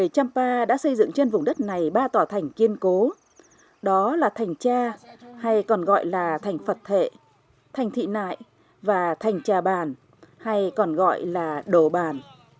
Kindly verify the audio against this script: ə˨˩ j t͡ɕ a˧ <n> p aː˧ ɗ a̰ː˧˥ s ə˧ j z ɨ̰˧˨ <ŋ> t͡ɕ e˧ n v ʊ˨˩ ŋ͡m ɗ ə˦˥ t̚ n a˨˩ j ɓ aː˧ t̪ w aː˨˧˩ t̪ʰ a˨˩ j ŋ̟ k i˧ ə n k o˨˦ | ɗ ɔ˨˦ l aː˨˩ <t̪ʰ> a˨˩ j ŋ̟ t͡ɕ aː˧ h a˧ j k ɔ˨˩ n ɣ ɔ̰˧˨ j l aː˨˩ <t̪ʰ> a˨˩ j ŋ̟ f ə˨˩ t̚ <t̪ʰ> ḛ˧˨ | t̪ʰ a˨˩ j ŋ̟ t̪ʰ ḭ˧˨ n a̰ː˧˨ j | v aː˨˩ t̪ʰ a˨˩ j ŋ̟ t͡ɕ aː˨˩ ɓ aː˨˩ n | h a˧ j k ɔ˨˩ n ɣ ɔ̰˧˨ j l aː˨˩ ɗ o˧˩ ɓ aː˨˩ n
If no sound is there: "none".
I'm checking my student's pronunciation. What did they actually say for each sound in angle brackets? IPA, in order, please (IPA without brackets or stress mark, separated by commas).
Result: m, ŋ, t̪ʰ, t̪ʰ, t̪ʰ